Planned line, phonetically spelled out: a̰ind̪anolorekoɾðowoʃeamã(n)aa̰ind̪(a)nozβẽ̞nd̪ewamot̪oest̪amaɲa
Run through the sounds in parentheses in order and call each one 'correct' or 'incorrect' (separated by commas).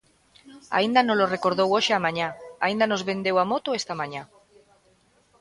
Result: incorrect, correct